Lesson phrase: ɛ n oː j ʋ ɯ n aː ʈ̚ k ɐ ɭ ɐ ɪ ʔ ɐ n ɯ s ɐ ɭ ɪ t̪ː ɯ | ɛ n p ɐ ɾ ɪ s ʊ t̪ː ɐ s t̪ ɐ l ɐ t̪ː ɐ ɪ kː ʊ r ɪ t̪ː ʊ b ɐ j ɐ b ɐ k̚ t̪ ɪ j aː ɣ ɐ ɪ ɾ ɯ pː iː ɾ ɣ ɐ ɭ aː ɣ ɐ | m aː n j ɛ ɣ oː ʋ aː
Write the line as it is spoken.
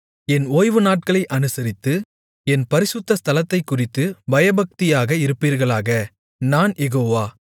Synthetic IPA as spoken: ɛ n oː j ʋ ɯ n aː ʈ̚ k ɐ ɭ ɐ ɪ ʔ ɐ n ɯ s ɐ ɾ ɪ t̪ː ɯ | ɛ n p ɐ ɾ ɪ s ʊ t̪ː ɐ s t̪ ɐ l ɐ t̪ː ɐ ɪ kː ʊ r ɪ t̪ː ɯ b ɐ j ɐ b ɐ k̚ t̪ ɪ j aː ɣ ɐ ɪ ɾ ɯ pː iː ɾ ɣ ɐ ɭ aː ɣ ɐ | n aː n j ɛ ɣ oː ʋ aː